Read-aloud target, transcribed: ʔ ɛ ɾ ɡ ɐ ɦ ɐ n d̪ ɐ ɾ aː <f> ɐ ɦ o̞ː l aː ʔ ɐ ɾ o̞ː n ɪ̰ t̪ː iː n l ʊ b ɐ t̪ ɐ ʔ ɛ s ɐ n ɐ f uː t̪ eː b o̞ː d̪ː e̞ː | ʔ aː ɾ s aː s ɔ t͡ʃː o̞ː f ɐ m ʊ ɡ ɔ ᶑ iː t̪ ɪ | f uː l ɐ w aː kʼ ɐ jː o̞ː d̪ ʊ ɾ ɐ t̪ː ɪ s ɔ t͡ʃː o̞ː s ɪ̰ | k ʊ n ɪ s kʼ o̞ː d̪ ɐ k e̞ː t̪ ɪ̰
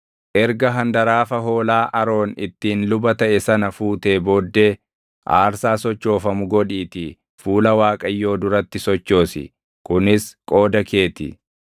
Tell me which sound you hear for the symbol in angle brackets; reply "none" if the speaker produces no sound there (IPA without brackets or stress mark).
f